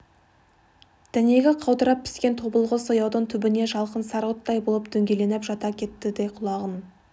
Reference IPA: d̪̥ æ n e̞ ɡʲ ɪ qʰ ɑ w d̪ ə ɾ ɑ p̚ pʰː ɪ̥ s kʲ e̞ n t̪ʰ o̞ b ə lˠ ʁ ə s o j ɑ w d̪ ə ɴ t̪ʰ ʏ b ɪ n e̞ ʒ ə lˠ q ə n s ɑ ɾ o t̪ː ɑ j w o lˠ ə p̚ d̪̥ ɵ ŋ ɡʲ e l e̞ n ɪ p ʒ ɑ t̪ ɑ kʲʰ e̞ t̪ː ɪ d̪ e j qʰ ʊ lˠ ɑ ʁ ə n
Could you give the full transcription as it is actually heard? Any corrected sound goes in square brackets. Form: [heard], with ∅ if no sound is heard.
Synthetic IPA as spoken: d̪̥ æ n e̞ ɡʲ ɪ qʰ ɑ w d̪ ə ɾ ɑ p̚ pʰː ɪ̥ s kʲ e̞ n t̪ʰ o̞ b ə lˠ ʁ ə s o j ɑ w d̪ ə ɴ t̪ʰ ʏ b ɪ n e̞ ʒ [ɑ] lˠ q ə n s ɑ ɾ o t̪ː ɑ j [b] o lˠ ə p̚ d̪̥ ɵ ŋ ɡʲ e l e̞ n ɪ p ʒ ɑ t̪ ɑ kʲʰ e̞ t̪ː ɪ d̪ e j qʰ ʊ lˠ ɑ ʁ ə n